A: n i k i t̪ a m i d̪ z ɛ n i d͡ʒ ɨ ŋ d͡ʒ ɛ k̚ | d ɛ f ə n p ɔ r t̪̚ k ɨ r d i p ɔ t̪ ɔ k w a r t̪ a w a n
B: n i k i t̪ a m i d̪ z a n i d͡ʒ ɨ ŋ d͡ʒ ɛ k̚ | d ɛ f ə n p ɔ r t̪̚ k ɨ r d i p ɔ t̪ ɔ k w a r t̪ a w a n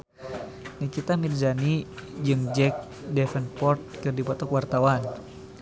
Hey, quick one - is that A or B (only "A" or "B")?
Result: B